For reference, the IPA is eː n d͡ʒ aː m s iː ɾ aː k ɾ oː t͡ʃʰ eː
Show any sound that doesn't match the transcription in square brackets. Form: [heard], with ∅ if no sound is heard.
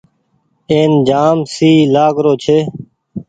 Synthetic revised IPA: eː n d͡ʒ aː m s iː [l] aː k ɾ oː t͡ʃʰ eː